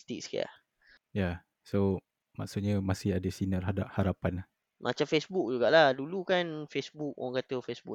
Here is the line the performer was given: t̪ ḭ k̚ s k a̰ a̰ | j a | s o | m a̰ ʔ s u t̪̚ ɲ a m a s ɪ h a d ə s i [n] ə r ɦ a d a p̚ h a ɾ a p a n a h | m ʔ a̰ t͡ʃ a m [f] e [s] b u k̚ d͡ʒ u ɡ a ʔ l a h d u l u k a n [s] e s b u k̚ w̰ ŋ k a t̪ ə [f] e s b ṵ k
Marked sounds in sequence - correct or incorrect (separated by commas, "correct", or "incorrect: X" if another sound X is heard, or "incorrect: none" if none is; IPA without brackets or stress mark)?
correct, correct, correct, incorrect: f, correct